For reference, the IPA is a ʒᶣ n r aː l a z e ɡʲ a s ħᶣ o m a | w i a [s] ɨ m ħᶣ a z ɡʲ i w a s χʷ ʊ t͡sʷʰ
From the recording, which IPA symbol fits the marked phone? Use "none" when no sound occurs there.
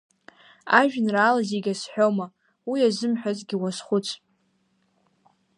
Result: z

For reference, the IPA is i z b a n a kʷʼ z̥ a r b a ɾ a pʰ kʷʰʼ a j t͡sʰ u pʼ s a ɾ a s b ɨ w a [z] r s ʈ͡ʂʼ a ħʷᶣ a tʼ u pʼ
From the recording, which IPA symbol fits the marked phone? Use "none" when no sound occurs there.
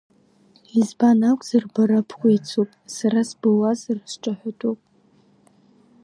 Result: z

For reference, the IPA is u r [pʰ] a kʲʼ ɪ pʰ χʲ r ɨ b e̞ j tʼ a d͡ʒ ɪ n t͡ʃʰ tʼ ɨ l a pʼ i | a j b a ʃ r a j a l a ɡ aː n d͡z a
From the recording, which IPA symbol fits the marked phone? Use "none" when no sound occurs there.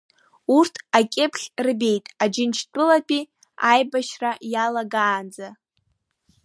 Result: tʰ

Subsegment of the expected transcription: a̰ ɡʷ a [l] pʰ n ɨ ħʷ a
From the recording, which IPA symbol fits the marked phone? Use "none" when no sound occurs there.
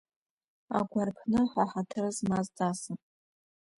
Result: r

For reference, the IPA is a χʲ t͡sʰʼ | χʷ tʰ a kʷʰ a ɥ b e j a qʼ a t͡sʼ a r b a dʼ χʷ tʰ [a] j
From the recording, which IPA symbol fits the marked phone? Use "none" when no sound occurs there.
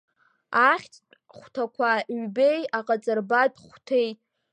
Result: e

